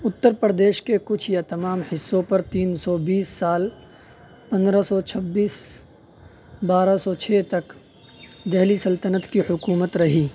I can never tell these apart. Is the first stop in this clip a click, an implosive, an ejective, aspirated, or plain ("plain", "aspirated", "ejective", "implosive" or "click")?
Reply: plain